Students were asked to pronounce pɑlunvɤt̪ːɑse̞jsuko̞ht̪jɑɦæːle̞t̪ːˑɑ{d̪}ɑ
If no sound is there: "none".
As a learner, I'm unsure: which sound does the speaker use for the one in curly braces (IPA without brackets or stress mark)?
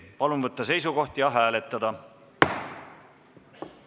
d̪